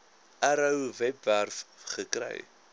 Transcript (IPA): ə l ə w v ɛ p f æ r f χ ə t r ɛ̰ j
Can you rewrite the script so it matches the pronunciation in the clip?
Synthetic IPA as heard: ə ɾ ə w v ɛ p v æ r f χ ə k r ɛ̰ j